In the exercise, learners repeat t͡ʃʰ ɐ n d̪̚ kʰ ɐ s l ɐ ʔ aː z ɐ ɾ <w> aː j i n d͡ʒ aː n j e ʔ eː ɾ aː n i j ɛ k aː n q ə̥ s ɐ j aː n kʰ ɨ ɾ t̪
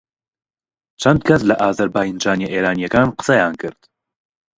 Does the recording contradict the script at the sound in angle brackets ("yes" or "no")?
yes